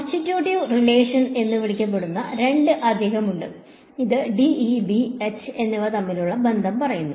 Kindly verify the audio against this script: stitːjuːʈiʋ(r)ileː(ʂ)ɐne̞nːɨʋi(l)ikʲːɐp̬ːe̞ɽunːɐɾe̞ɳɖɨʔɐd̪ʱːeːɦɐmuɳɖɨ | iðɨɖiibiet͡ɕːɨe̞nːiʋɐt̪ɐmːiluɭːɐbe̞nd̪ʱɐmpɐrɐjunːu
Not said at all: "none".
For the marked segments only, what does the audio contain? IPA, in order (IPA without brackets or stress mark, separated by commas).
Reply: r, ʂ, ɭ